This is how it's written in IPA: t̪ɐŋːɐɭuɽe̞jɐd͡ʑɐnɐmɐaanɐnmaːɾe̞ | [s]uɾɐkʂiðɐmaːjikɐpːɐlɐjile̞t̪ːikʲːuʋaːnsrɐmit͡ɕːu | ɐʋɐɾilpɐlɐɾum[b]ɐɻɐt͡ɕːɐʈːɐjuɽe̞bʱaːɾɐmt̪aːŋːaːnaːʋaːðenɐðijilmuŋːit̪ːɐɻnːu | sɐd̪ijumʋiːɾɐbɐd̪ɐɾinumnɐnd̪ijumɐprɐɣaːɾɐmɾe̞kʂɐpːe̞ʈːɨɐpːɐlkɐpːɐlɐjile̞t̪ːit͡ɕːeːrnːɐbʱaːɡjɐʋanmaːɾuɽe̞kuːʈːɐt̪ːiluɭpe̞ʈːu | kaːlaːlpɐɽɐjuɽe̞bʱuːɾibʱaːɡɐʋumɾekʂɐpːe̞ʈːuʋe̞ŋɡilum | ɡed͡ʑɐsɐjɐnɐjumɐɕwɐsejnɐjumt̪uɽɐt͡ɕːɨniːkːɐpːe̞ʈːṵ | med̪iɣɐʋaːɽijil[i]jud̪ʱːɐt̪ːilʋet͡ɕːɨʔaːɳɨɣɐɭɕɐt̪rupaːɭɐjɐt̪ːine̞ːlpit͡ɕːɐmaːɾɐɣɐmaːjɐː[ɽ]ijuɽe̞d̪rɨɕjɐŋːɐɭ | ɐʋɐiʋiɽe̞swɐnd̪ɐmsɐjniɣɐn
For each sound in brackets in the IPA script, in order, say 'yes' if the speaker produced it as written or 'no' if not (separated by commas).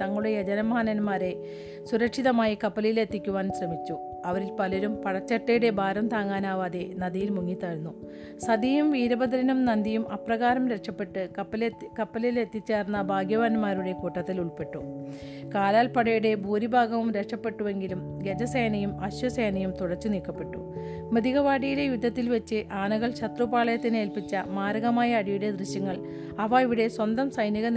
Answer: yes, no, no, yes